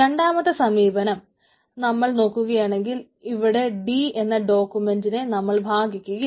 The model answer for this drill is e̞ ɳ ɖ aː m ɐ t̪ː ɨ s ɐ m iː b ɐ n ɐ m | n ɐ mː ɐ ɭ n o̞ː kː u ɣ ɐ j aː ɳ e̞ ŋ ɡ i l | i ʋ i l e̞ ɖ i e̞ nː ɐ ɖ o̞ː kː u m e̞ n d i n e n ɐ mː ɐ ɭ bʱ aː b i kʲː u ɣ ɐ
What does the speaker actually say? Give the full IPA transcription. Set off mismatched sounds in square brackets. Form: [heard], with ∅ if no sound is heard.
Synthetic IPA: e̞ ɳ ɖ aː m ɐ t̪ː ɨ s ɐ m iː b ɐ n ɐ m | n ɐ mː ɐ ɭ n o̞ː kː u ɣ ɐ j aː ɳ e̞ ŋ ɡ i l | i ʋ i [ɽ] e̞ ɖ i e̞ nː ɐ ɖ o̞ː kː u m e̞ n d i n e n ɐ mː ɐ ɭ bʱ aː [ɡ] i kʲː u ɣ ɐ